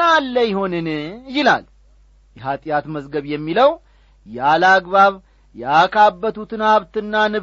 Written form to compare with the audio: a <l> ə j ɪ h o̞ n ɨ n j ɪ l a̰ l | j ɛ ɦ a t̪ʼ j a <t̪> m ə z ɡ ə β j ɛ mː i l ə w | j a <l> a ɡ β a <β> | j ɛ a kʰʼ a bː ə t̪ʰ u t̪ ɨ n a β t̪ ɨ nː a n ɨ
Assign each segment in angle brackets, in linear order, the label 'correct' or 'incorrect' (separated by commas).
incorrect, correct, correct, correct